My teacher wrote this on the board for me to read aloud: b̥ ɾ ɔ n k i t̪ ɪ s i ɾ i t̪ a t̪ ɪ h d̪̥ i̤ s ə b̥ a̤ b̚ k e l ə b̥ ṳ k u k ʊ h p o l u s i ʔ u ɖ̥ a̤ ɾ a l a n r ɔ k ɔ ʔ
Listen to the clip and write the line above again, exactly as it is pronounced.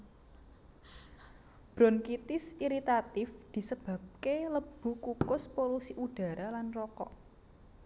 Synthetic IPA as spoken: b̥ ɾ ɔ n k i t̪ ɪ s i ɾ i t̪ a t̪ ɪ f d̪̥ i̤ s ə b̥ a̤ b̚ k e l ə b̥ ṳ k u k ʊ s p o l u s i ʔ u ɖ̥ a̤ ɾ a l a n r ɔ k ɔ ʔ